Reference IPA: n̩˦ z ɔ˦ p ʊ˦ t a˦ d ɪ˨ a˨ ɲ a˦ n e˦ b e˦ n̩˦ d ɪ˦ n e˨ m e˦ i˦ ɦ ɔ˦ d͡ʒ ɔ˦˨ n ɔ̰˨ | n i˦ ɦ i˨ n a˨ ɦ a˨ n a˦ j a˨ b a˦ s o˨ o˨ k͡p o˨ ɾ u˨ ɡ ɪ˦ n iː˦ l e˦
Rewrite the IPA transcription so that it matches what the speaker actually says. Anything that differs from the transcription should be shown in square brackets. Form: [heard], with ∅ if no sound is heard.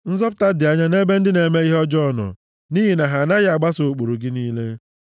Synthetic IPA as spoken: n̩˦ z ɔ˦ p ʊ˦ t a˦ d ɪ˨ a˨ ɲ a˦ n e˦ b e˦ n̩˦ d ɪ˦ n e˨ m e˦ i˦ ɦ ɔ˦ d͡ʒ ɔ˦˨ n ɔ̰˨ | n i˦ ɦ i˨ n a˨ ɦ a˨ n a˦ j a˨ [ɡ͡b] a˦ s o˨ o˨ k͡p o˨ ɾ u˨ ɡ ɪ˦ n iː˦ l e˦